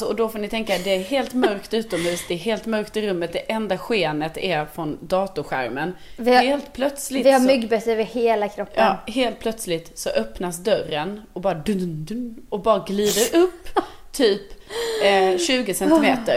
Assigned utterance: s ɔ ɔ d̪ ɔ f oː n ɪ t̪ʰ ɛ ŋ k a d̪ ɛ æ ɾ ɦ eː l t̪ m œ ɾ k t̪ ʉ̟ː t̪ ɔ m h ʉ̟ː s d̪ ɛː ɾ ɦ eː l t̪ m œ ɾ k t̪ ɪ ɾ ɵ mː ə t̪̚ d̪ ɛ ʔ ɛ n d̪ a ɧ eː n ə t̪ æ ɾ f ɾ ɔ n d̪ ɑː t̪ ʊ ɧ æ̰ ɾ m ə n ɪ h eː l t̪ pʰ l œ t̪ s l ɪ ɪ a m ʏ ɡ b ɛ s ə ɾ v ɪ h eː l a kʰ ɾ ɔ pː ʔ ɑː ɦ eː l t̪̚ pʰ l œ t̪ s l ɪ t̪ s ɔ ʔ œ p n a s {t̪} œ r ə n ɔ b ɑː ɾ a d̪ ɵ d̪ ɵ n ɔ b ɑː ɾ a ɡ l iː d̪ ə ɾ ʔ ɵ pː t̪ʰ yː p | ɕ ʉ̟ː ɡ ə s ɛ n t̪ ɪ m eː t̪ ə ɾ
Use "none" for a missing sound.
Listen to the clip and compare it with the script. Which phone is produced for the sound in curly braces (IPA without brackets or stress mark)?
d̪